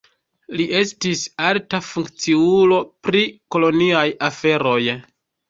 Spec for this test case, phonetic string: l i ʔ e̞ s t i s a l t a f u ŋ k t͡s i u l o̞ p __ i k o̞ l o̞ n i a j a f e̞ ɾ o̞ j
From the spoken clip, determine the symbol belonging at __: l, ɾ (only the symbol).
ɾ